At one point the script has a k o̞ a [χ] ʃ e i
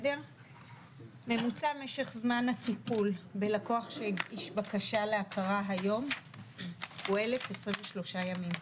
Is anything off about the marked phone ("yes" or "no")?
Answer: no